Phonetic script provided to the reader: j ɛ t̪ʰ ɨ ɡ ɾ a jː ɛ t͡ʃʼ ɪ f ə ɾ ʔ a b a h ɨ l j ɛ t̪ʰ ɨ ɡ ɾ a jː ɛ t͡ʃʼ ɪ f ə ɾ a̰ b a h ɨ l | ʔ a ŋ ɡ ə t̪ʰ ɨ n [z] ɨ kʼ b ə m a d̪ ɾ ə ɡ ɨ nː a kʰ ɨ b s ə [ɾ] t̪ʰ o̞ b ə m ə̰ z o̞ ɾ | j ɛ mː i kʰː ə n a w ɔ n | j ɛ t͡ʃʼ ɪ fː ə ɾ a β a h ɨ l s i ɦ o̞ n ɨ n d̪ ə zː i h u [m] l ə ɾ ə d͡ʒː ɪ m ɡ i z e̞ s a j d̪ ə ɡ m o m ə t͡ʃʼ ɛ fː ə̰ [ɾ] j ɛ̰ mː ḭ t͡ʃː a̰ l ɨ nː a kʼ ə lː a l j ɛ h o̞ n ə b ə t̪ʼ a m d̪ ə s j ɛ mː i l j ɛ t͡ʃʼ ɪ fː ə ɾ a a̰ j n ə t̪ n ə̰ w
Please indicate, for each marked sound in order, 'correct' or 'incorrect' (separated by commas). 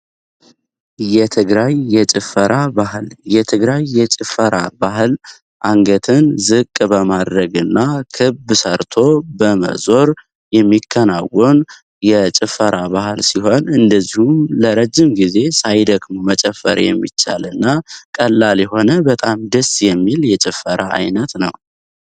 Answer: correct, correct, correct, correct